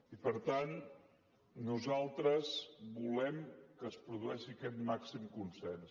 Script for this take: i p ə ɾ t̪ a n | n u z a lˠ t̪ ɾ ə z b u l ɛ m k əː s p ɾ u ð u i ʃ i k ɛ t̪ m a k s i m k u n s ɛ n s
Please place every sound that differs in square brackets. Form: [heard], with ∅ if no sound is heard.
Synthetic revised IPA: i p ə ɾ t̪ a n | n u z a lˠ t̪ ɾ ə z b u l ɛ m k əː s p ɾ u ð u [ɛ] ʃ i k ɛ t̪ m a k s i m k u n s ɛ n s